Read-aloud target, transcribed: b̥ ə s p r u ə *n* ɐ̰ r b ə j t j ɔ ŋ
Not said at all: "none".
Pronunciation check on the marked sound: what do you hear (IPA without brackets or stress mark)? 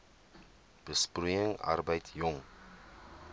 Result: ŋ